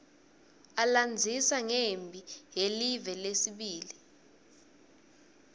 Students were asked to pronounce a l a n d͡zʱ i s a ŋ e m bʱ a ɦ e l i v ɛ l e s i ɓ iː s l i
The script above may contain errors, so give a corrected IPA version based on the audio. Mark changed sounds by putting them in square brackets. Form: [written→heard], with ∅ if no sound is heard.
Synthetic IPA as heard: a l a n d͡zʱ i s a ŋ e m bʱ [a→i] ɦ e l i v ɛ l e s i ɓ iː [s→∅] l i